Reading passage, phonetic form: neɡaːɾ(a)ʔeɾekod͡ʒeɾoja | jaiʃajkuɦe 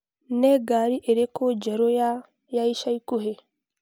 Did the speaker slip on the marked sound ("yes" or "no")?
yes